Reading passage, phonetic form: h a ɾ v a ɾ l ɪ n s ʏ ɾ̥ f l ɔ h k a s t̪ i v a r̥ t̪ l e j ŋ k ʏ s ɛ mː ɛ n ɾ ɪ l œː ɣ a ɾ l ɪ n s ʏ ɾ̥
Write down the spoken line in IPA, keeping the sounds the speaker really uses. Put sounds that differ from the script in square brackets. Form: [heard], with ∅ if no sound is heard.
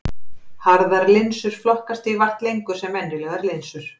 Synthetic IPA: h a ɾ [ð] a ɾ l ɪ n s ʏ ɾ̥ f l ɔ h k a s t̪ i v a r̥ t̪ l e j ŋ k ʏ s ɛ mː ɛ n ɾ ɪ l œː ɣ a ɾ l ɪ n s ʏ ɾ̥